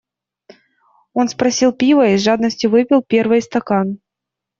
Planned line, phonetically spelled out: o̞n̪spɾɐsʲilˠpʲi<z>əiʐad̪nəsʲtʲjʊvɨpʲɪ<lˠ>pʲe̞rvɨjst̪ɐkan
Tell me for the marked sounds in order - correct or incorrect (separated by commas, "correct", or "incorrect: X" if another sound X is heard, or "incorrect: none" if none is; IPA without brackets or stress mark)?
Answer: incorrect: v, correct